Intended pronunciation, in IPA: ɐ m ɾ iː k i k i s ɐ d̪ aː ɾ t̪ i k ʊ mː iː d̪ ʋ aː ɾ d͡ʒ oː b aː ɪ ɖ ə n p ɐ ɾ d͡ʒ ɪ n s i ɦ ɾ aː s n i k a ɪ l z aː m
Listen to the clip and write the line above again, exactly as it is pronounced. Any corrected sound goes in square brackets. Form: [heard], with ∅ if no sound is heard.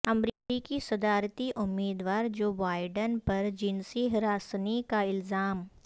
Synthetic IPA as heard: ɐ m ɾ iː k i k i s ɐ d̪ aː ɾ t̪ i [ʔ] ʊ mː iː d̪ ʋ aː ɾ d͡ʒ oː b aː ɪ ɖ ə n p ɐ ɾ d͡ʒ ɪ n s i ɦ ɾ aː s n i k a ɪ l z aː m